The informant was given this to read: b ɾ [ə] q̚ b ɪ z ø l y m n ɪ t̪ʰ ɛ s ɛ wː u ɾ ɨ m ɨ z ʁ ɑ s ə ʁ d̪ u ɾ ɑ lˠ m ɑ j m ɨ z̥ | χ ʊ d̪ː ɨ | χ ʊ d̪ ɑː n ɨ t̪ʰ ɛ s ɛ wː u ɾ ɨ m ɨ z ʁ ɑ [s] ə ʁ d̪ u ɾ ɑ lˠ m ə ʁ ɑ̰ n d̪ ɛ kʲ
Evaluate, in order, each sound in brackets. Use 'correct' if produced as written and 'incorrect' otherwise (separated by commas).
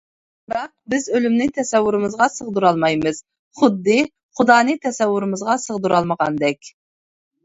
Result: incorrect, correct